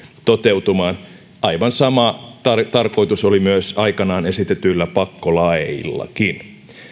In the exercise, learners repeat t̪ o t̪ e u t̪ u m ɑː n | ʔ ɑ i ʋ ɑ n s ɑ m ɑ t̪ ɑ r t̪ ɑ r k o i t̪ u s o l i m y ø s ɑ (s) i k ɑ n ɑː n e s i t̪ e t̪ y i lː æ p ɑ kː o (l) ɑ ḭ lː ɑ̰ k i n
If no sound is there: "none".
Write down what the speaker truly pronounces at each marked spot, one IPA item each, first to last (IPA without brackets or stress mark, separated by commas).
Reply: none, l